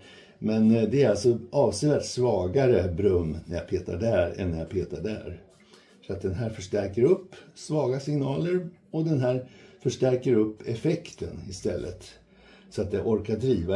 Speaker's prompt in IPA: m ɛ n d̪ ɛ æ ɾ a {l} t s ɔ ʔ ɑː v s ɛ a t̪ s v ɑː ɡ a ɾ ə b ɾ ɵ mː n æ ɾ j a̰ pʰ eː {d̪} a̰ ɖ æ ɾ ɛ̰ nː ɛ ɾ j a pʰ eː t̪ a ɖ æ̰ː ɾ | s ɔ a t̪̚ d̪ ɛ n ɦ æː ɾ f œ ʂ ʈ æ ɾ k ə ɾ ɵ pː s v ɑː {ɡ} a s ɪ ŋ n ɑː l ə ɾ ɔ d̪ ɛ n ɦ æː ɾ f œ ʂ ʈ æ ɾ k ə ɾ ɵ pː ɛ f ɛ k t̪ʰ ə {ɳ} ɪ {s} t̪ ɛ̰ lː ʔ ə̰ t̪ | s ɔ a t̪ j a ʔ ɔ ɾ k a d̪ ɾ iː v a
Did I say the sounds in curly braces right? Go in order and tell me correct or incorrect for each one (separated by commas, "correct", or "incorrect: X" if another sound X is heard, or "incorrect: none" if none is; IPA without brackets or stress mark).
correct, incorrect: t̪, correct, incorrect: n, correct